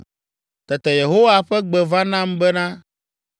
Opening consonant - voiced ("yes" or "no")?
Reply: no